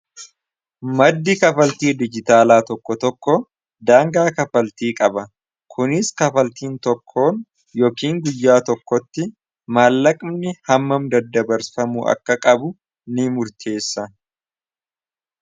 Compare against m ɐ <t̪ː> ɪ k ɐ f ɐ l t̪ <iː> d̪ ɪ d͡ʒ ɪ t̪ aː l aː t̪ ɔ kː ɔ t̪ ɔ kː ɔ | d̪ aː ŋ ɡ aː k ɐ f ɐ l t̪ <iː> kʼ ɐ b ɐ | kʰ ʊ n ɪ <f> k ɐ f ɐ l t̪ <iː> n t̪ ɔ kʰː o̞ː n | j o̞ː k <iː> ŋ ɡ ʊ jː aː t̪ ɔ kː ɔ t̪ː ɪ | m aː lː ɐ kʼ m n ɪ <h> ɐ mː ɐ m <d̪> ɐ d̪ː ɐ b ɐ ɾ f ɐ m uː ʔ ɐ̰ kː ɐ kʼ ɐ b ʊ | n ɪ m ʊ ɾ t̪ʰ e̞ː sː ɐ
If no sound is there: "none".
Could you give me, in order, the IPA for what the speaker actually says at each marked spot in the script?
d̪ː, iː, iː, s, iː, iː, h, d̪

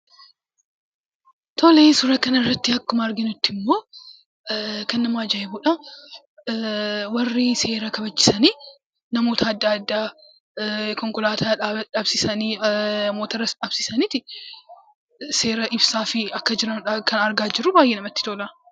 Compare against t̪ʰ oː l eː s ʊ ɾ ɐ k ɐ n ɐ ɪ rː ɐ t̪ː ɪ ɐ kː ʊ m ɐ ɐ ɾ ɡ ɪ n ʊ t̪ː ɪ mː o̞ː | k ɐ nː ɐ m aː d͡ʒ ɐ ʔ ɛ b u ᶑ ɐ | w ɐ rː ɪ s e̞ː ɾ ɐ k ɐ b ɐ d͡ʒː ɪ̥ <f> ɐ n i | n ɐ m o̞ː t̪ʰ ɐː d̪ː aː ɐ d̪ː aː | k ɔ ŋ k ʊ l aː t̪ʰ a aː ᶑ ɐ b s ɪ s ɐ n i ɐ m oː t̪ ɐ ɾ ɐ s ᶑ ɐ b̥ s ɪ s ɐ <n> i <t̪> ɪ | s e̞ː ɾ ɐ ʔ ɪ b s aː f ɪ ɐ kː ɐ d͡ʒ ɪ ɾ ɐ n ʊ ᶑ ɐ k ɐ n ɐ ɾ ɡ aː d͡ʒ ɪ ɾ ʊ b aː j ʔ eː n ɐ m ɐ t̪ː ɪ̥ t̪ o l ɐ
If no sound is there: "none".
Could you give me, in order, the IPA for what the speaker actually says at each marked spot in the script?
s, n, t̪

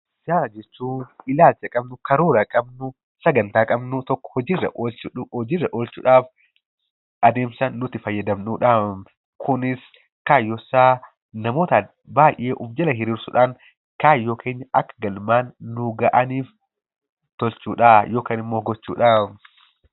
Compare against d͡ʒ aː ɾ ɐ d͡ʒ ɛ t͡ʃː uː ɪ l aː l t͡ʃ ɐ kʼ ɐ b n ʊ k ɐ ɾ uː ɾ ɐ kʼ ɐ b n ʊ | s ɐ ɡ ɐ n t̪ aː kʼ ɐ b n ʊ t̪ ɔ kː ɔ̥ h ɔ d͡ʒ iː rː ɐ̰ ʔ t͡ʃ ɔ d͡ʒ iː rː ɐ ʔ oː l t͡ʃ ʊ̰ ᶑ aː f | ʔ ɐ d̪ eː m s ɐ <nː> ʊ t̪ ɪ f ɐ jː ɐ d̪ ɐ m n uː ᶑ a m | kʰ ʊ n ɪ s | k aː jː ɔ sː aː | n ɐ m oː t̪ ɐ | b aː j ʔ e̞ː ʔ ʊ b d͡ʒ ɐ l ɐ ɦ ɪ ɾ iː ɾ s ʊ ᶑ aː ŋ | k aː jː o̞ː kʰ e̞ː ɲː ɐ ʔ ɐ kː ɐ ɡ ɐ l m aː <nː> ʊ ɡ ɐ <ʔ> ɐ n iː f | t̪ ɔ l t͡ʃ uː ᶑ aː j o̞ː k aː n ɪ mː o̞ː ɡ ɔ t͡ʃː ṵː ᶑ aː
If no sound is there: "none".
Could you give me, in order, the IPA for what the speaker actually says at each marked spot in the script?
nː, nː, ʔ

